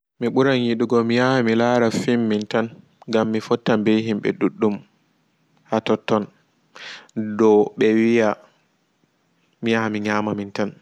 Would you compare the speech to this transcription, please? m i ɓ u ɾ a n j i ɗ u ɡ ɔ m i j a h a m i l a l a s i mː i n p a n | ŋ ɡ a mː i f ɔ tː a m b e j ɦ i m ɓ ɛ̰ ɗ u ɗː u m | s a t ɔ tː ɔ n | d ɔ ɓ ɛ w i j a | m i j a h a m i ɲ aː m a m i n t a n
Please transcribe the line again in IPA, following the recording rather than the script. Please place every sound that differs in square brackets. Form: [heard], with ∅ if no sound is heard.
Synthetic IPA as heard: m i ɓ u ɾ a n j i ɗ u ɡ ɔ m i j a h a m i l a [ɾ] a [f] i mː i n [t] a n | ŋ ɡ a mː i f ɔ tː a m b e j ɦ i m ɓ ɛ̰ ɗ u ɗː u m | [h] a t ɔ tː ɔ n | d ɔ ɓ ɛ w i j a | m i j a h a m i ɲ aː m a m i n t a n